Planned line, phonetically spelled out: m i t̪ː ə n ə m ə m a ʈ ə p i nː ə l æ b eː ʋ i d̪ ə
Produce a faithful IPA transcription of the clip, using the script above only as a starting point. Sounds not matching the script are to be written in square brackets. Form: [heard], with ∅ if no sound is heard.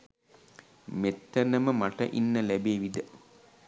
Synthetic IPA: m [e] t̪ː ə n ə m ə m a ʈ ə [ʔ] i nː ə l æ b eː ʋ i d̪ ə